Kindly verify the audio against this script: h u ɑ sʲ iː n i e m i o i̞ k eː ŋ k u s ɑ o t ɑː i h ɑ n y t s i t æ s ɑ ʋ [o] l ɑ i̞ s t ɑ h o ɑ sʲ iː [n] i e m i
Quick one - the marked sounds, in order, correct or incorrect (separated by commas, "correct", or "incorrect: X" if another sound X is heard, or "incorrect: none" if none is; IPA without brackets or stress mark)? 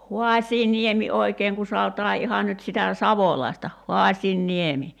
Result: correct, incorrect: nː